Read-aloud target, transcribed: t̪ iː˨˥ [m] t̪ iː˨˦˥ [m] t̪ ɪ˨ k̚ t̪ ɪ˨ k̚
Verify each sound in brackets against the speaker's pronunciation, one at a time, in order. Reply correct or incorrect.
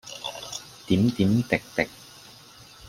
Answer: correct, correct

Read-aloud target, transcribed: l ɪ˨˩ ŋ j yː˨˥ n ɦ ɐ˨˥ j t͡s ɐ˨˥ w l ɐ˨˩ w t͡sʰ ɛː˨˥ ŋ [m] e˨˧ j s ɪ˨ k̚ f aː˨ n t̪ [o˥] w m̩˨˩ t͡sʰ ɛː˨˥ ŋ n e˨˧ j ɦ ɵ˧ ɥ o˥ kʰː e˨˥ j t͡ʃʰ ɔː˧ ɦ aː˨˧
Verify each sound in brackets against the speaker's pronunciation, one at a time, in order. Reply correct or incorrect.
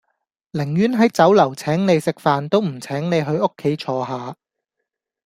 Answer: incorrect, correct

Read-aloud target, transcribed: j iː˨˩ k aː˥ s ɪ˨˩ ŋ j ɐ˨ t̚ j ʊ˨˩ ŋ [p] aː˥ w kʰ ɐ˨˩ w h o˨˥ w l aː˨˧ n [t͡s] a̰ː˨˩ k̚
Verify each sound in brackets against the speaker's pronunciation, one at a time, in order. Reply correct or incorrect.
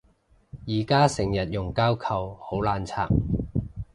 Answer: incorrect, incorrect

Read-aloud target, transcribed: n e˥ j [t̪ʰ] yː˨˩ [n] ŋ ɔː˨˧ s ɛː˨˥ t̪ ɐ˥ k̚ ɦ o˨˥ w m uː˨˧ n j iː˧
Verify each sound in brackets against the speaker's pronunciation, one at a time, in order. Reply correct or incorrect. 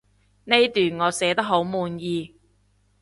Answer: incorrect, correct

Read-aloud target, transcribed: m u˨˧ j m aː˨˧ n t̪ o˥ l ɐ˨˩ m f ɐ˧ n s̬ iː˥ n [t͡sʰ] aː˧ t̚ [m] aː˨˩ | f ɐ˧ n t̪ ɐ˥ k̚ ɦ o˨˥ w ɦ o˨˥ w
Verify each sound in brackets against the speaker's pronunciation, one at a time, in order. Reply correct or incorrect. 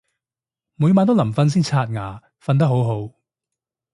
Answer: correct, incorrect

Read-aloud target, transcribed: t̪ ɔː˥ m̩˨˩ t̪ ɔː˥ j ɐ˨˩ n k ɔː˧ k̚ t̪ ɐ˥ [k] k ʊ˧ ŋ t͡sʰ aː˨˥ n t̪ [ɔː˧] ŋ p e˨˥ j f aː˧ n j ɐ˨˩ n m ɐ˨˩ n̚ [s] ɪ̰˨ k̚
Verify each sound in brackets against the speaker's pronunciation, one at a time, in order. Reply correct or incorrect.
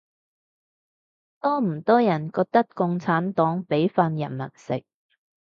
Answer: correct, incorrect, correct

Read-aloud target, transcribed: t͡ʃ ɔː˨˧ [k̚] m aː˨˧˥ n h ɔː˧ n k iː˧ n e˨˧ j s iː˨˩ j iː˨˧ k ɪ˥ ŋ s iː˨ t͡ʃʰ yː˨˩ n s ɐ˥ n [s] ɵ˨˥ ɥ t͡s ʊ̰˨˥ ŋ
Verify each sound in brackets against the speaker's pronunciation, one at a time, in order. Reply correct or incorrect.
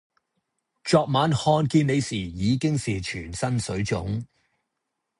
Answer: correct, correct

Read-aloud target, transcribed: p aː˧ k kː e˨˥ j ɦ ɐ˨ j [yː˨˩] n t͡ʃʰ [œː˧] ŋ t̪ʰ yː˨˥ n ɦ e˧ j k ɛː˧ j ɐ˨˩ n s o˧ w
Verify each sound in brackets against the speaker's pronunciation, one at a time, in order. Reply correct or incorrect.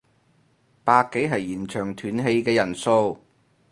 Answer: incorrect, incorrect

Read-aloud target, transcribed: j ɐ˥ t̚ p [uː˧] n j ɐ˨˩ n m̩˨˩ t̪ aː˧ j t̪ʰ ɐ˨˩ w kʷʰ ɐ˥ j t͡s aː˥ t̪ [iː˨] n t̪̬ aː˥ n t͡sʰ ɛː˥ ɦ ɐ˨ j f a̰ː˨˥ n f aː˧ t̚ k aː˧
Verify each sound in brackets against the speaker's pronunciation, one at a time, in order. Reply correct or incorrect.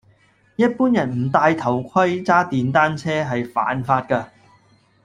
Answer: incorrect, correct

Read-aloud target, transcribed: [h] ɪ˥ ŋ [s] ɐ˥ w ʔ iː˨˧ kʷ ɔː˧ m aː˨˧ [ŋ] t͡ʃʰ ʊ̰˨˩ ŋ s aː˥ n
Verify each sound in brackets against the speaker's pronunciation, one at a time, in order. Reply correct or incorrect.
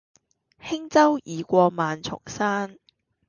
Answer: correct, incorrect, incorrect

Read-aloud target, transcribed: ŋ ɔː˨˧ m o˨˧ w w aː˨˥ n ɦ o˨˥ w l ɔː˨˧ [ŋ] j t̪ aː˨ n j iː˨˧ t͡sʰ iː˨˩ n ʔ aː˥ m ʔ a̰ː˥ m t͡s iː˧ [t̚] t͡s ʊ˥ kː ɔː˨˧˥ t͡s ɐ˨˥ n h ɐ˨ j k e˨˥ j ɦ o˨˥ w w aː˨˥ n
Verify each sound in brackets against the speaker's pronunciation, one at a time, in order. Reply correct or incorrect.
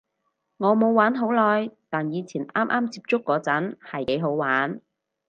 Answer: incorrect, incorrect

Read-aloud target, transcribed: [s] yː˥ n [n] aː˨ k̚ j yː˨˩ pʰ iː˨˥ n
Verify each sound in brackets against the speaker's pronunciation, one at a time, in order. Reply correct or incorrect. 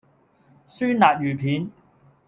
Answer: correct, correct

